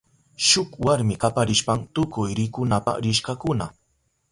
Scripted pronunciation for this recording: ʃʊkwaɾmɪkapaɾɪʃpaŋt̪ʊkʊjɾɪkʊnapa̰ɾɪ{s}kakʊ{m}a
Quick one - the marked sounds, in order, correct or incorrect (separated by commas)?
incorrect, incorrect